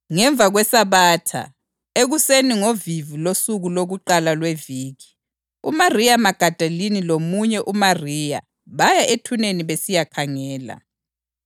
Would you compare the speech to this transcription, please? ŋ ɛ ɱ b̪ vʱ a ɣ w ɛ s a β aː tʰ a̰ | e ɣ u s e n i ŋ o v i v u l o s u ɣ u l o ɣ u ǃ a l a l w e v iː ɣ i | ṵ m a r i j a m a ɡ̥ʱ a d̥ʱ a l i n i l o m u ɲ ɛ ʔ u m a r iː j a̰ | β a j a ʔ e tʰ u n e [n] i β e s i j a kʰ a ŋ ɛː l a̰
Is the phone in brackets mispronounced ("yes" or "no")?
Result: no